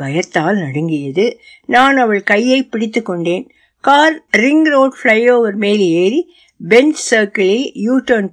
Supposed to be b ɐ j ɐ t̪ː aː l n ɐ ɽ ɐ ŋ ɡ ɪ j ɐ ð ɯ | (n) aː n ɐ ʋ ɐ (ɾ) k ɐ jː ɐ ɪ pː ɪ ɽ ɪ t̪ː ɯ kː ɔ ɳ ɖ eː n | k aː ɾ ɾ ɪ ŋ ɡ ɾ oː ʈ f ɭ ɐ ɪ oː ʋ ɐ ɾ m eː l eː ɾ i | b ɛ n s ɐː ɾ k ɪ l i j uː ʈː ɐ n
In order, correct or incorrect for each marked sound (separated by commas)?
correct, incorrect